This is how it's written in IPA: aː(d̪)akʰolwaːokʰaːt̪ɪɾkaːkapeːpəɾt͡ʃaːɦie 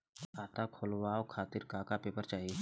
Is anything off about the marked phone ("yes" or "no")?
yes